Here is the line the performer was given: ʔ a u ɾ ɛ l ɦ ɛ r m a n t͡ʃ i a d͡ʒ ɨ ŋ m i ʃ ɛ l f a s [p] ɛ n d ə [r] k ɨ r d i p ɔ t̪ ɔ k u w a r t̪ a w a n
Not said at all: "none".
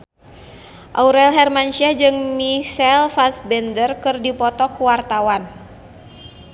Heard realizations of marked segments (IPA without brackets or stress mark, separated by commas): b, r